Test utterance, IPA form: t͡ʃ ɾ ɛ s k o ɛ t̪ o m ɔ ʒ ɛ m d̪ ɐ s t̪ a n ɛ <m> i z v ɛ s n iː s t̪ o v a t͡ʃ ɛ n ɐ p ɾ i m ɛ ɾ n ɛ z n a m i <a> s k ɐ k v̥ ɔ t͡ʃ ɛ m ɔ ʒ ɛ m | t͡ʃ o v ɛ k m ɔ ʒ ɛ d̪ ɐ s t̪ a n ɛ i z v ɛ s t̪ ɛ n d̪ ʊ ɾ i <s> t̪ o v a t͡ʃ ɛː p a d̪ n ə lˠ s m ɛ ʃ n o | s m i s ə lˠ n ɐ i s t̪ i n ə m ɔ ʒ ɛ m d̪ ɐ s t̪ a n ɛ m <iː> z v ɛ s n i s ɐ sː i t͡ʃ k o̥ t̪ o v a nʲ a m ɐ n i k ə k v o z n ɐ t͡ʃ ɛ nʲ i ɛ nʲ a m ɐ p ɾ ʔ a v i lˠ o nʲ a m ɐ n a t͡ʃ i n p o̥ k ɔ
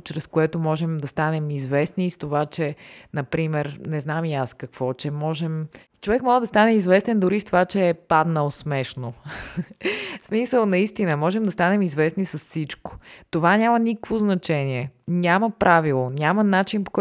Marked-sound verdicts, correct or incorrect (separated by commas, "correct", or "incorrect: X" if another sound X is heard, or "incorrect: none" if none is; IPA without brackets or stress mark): correct, correct, correct, incorrect: i